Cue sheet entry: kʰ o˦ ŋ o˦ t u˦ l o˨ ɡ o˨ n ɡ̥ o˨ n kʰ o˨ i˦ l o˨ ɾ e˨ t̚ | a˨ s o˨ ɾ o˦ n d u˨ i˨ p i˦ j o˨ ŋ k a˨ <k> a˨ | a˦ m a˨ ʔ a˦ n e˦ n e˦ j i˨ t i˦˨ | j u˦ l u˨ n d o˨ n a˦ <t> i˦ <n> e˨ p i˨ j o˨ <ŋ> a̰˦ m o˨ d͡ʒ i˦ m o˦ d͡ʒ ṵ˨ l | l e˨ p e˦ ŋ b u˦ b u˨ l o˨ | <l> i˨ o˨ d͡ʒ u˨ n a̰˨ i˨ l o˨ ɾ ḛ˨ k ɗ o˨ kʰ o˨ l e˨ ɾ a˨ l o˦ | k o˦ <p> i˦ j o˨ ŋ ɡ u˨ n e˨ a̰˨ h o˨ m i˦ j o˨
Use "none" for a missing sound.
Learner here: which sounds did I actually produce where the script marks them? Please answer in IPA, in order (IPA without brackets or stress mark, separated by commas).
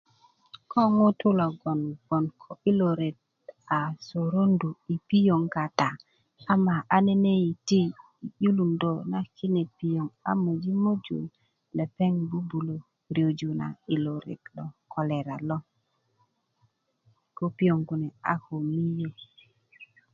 t, k, n, ŋ, ɾ, p